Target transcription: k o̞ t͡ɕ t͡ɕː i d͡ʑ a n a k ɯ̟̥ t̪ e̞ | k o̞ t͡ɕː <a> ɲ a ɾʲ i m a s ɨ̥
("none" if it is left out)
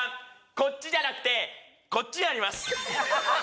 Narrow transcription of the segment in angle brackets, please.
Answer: i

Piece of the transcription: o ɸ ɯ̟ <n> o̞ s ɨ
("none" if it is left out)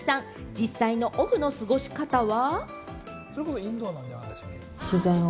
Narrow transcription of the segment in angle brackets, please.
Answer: n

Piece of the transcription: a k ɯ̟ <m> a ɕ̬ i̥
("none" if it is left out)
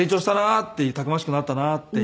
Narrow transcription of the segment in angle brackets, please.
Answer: m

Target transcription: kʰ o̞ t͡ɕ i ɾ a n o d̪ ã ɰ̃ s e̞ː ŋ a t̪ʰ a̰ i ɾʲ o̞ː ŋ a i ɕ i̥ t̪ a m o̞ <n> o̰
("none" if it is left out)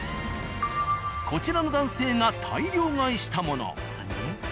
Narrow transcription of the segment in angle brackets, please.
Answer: n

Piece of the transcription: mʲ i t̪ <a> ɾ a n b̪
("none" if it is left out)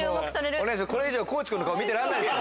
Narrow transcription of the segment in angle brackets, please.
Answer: e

